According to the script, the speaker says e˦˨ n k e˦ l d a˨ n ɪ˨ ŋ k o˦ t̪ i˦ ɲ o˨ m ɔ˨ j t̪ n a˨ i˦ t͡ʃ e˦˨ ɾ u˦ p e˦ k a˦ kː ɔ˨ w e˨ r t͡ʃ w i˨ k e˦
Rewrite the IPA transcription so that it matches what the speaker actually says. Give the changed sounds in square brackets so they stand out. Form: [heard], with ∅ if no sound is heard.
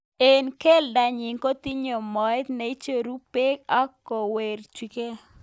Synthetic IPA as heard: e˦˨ n k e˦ l d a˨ [ɲ] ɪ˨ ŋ k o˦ t̪ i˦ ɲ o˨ m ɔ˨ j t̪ n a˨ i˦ t͡ʃ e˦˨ ɾ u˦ p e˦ k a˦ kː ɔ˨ w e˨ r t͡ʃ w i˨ k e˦